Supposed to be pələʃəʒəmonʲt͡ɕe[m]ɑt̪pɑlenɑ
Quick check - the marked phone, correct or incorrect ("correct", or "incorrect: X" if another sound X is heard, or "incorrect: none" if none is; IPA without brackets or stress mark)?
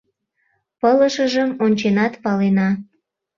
incorrect: n